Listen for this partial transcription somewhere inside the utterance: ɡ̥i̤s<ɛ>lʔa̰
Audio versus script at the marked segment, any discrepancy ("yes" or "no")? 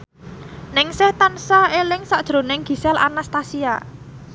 no